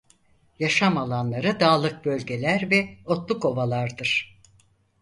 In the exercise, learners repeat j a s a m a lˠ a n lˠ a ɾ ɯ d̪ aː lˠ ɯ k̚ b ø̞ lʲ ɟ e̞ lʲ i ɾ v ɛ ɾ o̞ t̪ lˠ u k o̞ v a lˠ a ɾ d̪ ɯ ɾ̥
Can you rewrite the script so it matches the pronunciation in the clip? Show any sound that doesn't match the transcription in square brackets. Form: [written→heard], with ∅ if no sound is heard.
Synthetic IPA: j a [s→ʃ] a m a lˠ a n lˠ a ɾ ɯ d̪ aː lˠ ɯ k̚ b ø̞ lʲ ɟ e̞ lʲ [i→æ] ɾ v ɛ [ɾ→∅] o̞ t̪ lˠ u k o̞ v a lˠ a ɾ d̪ ɯ ɾ̥